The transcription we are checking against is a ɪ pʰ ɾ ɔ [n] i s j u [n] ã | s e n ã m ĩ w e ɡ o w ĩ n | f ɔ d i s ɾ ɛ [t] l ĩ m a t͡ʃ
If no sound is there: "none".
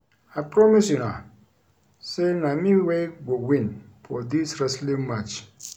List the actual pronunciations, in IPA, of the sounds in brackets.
m, n, s

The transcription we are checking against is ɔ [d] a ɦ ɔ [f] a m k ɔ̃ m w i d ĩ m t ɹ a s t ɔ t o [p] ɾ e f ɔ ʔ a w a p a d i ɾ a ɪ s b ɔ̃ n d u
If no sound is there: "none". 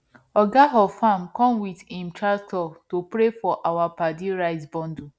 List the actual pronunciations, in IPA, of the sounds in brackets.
ɡ, f, p

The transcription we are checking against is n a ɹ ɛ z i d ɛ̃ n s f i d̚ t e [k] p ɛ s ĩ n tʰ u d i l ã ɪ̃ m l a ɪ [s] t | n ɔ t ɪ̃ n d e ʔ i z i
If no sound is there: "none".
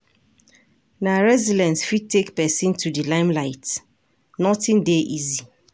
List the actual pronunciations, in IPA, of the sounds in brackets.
k, none

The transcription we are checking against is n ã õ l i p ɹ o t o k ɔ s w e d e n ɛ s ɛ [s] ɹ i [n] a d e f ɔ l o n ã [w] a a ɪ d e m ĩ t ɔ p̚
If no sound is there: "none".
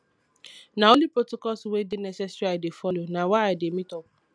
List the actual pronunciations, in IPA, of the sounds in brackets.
s, none, w

